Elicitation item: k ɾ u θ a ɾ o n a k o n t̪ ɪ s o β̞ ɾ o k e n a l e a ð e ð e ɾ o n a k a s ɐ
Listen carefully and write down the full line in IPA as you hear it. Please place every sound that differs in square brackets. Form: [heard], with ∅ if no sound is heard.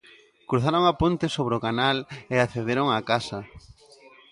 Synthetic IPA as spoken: k ɾ u θ a ɾ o [ŋ] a [p] o n t̪ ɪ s o β̞ ɾ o k [a] n a l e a [θ] e ð e ɾ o [ŋ] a k a s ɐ